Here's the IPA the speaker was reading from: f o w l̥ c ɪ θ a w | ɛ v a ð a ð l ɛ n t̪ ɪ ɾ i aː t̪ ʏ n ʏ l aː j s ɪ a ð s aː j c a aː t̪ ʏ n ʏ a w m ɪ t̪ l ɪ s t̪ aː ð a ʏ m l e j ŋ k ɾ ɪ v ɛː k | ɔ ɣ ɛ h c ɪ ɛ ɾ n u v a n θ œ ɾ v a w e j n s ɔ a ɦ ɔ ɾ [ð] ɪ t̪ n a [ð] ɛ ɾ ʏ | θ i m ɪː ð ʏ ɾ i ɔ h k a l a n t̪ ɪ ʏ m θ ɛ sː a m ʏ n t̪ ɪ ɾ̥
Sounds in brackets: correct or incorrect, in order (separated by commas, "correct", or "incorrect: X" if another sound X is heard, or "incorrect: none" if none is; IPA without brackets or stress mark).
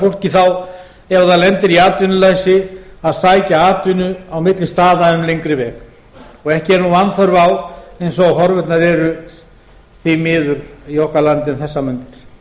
incorrect: v, correct